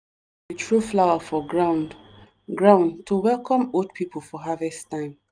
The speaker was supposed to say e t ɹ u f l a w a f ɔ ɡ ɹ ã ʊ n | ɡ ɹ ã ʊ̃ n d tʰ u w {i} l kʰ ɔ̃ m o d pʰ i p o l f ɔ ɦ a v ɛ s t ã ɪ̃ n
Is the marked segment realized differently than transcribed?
yes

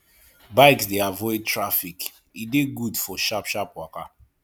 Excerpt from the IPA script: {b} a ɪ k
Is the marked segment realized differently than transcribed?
no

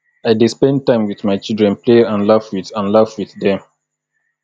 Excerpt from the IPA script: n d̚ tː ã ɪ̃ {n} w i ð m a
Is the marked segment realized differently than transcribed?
yes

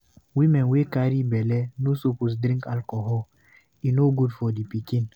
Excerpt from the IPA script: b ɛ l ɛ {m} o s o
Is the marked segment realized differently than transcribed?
yes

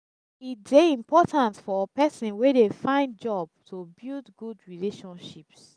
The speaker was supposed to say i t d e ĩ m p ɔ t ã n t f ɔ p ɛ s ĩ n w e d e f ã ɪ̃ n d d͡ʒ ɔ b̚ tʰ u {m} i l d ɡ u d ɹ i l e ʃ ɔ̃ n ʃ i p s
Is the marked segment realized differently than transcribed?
yes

